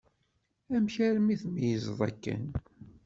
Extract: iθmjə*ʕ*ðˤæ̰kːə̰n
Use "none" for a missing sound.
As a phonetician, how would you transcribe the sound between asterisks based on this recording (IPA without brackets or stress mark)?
z